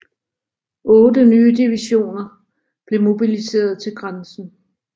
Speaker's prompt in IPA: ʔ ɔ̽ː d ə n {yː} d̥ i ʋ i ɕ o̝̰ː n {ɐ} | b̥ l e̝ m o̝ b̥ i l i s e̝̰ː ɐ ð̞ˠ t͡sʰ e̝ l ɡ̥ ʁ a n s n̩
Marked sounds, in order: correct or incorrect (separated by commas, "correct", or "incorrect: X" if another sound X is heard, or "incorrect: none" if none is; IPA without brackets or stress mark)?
correct, correct